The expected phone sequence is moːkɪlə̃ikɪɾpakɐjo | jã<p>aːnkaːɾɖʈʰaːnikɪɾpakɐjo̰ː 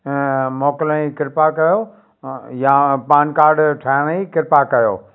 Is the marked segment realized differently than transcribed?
no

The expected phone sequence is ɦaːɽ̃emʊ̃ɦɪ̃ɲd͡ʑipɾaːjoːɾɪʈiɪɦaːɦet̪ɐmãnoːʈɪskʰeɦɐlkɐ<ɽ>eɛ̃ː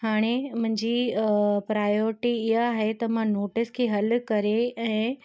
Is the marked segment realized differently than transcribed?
yes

